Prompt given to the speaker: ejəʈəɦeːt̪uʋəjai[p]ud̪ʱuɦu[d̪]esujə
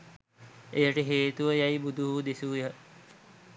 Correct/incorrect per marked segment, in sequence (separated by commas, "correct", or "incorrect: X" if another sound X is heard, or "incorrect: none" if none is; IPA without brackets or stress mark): incorrect: b, correct